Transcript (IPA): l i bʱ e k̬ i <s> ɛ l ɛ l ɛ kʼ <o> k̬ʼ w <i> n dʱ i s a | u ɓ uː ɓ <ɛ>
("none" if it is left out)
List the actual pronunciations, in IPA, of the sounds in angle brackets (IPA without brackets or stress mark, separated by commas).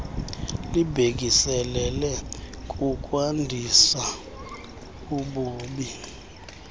s, u, a, i